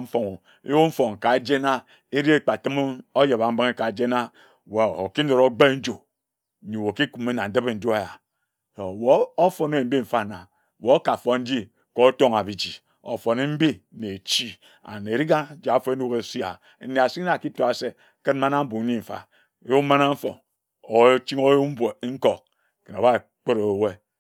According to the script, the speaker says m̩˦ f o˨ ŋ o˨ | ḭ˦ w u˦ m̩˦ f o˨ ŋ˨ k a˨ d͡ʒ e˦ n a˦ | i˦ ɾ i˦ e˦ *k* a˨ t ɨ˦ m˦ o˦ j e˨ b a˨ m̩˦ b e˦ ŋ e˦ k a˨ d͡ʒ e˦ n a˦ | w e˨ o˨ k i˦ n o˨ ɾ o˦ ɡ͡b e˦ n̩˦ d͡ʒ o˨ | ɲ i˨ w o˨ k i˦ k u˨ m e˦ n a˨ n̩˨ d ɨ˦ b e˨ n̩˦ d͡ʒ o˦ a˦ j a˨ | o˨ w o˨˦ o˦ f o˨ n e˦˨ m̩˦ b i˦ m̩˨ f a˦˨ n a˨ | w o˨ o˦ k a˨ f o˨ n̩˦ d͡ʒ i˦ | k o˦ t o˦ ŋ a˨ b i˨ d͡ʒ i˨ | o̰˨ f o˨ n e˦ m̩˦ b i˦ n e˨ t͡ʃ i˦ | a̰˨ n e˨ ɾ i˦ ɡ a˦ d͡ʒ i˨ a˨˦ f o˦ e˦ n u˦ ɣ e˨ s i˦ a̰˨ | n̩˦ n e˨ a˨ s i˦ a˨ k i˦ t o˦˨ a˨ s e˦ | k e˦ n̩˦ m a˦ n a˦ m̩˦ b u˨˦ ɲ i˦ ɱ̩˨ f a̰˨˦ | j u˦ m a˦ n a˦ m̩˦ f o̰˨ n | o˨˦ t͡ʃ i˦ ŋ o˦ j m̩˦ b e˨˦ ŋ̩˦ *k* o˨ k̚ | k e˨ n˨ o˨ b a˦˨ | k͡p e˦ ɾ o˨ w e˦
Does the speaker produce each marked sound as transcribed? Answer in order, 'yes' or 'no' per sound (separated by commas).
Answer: no, yes